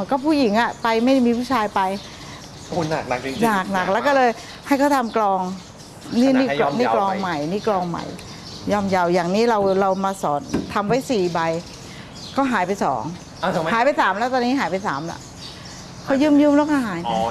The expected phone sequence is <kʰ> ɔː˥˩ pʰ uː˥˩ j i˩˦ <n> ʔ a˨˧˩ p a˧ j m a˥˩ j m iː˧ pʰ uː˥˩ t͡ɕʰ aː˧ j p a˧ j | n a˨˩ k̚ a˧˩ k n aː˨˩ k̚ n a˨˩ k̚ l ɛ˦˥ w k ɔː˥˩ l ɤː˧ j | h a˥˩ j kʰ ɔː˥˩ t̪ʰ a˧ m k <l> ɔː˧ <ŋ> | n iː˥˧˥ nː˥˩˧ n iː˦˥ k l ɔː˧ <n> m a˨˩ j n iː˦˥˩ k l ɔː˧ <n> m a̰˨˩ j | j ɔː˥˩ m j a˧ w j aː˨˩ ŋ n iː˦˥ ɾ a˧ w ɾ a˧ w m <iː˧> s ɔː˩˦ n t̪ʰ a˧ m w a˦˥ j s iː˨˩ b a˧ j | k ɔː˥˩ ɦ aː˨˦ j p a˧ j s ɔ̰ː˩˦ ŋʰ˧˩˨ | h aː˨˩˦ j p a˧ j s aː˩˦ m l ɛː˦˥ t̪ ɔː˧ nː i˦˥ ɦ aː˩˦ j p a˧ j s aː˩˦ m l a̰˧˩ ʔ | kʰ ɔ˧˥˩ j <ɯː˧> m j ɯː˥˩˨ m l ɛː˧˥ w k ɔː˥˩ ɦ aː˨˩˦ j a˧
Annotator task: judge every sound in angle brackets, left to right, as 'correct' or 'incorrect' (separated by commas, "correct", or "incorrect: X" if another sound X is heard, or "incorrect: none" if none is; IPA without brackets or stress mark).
incorrect: k, incorrect: ŋ, correct, correct, incorrect: ŋ, incorrect: ŋ, incorrect: aː˧, incorrect: ɯː˥˩